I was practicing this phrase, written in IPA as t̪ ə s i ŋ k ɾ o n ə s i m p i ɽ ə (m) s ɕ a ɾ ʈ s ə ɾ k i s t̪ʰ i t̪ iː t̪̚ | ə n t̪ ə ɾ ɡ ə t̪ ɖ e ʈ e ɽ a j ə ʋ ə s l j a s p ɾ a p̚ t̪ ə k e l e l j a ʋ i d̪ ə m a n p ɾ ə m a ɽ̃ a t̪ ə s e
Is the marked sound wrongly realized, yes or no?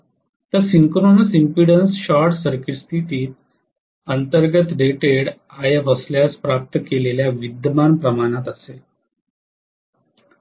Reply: yes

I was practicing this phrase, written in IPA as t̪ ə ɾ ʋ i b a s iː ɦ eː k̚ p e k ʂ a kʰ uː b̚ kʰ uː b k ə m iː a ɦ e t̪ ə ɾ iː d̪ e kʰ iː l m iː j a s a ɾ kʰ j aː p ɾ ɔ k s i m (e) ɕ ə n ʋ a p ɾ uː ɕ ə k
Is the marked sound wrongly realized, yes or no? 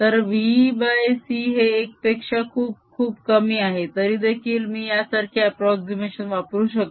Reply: no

